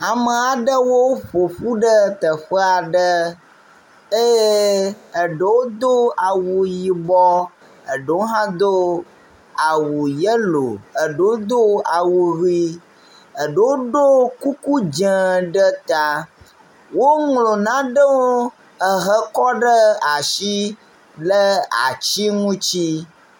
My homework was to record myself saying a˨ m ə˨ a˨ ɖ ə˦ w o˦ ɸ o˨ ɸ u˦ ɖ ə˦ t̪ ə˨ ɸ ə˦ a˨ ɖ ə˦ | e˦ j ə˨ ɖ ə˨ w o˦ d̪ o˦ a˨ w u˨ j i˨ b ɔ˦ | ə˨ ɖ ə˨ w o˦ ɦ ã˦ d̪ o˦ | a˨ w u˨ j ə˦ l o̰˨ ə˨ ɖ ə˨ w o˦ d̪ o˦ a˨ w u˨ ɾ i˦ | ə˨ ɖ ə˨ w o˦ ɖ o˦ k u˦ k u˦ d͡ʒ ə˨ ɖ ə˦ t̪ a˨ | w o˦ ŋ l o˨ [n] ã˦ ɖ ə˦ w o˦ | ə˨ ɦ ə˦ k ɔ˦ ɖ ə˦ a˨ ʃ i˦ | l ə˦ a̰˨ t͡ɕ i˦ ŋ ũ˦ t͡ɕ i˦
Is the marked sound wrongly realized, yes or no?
no